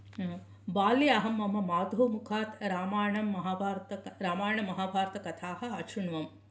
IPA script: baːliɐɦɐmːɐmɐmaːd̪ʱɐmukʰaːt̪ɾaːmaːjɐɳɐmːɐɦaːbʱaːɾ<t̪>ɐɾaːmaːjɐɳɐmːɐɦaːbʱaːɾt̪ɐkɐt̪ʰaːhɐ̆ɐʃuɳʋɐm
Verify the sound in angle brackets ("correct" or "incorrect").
correct